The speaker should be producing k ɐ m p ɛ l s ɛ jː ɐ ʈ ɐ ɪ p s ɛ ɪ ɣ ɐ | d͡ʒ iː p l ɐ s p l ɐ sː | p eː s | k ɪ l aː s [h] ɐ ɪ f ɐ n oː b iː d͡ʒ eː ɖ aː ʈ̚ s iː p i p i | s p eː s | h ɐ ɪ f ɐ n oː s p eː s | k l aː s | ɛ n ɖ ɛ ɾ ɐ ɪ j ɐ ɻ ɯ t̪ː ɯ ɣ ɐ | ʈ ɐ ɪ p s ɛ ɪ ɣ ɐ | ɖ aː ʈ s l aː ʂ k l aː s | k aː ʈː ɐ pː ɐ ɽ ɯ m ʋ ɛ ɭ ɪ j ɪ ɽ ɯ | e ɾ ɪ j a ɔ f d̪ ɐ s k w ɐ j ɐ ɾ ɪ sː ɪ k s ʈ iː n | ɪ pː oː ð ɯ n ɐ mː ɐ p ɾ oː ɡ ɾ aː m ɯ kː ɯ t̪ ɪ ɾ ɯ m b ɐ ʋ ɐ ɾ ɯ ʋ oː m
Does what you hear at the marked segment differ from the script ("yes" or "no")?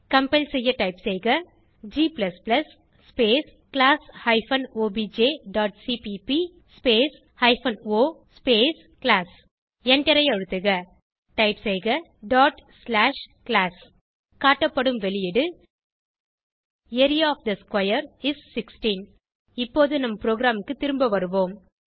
no